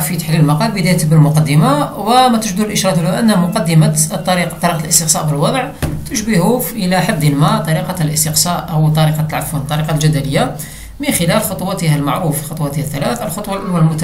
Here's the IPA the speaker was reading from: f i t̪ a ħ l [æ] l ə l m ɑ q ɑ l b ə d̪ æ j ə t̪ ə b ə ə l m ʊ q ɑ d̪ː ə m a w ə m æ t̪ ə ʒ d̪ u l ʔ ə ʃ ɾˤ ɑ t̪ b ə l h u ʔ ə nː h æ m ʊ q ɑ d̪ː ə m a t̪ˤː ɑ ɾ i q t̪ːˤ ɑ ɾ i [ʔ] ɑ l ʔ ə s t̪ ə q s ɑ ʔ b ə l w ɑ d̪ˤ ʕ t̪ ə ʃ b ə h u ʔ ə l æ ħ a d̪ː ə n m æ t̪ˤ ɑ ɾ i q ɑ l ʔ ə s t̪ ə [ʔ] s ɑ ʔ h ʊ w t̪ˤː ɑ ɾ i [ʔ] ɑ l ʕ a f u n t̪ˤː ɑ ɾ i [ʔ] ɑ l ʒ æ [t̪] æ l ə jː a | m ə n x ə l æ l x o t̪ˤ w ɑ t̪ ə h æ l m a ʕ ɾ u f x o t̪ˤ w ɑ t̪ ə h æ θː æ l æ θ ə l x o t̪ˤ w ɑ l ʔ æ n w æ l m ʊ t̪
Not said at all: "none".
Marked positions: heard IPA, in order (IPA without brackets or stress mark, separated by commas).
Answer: i, q, q, q, q, d̪